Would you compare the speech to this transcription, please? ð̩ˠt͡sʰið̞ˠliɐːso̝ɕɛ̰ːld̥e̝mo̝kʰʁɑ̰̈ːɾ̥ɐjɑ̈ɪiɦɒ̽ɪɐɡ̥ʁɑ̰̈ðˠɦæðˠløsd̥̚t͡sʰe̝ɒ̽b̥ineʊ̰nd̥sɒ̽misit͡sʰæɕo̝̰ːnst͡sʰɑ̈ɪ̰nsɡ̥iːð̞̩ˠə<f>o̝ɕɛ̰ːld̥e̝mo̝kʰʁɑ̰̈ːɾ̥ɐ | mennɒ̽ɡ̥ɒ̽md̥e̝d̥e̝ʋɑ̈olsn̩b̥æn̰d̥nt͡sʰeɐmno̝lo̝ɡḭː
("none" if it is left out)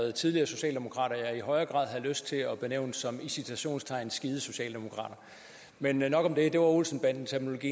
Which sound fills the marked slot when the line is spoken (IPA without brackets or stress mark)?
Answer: s